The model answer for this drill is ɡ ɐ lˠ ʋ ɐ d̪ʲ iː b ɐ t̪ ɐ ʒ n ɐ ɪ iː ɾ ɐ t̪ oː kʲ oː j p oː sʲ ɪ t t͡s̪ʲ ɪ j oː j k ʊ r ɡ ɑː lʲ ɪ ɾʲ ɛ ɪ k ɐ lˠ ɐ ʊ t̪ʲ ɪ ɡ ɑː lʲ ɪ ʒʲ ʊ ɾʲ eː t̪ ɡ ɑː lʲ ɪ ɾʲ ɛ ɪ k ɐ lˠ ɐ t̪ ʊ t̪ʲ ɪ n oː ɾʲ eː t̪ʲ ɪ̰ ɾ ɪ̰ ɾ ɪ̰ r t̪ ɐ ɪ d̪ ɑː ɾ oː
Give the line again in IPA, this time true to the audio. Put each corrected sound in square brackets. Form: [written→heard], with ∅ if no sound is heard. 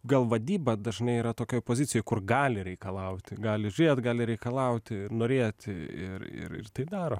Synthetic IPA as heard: ɡ ɐ lˠ ʋ ɐ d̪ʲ iː b ɐ [t̪→d̪] ɐ ʒ n ɐ ɪ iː ɾ ɐ t̪ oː kʲ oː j p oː [sʲ→zʲ] ɪ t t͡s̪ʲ ɪ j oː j k ʊ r ɡ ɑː lʲ ɪ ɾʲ ɛ ɪ k ɐ lˠ ɐ ʊ t̪ʲ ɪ ɡ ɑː lʲ ɪ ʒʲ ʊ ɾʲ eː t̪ ɡ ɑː lʲ ɪ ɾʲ ɛ ɪ k ɐ lˠ ɐ [t̪→∅] ʊ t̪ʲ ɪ n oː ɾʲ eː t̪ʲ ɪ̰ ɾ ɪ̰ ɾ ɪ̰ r t̪ ɐ ɪ d̪ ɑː ɾ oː